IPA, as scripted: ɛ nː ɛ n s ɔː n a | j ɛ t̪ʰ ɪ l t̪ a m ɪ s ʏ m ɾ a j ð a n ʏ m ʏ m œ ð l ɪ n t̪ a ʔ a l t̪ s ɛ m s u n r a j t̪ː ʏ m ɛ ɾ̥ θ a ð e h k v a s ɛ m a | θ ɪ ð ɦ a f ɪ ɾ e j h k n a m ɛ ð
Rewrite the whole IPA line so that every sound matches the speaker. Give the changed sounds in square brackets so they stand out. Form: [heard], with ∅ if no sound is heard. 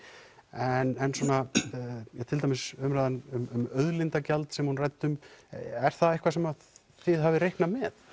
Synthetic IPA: ɛ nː ɛ n s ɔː n a | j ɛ t̪ʰ ɪ l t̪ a m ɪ s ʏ m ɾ a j ð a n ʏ m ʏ m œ ð l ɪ n t̪ a [c] a l t̪ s ɛ m [h] u n r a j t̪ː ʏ m ɛ ɾ̥ θ a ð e h k v a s ɛ m a | θ ɪ ð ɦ a [v] ɪ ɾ e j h k n a m ɛ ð

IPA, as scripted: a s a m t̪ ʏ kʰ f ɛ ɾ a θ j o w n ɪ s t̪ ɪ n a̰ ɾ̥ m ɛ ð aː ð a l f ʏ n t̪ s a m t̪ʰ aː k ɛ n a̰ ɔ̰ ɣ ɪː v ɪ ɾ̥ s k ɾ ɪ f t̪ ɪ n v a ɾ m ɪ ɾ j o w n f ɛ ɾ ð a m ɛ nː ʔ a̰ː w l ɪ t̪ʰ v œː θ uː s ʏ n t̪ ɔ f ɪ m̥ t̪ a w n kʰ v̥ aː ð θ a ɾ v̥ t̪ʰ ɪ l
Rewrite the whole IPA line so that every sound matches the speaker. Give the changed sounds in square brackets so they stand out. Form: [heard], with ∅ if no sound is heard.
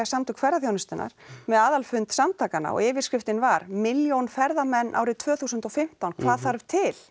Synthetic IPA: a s a m t̪ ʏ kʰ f ɛ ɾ a θ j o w n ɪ s t̪ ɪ n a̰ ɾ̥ m ɛ ð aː ð a l f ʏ n t̪ s a m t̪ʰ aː k [a] n a̰ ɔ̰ ɣ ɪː v ɪ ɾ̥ s k ɾ ɪ f t̪ ɪ n v a ɾ m ɪ [l] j o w n f ɛ ɾ ð a m ɛ nː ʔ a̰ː w [ɾ] ɪ t̪ʰ v œː θ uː s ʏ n t̪ ɔ f ɪ m̥ t̪ a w n kʰ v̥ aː ð θ a ɾ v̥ t̪ʰ ɪ l

